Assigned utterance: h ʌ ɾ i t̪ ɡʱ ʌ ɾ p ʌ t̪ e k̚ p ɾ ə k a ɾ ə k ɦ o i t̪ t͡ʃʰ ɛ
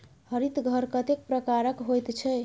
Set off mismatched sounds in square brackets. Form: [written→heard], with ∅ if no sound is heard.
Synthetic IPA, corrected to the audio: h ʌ ɾ i t̪ ɡʱ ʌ ɾ [p→k] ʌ t̪ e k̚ p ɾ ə k a ɾ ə k ɦ o [i→j] t̪ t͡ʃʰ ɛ